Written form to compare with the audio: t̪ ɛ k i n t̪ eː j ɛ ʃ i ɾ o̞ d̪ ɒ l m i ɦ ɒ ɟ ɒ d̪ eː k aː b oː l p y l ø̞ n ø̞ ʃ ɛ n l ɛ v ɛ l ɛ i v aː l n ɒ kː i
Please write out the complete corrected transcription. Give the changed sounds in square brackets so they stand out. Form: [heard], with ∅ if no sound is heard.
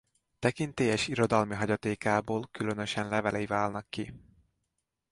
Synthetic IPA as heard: t̪ ɛ k i n t̪ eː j ɛ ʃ i ɾ o̞ d̪ ɒ l m i ɦ ɒ ɟ ɒ [t̪] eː k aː b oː l [k] y l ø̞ n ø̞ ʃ ɛ n l ɛ v ɛ l ɛ i v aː l n ɒ kː i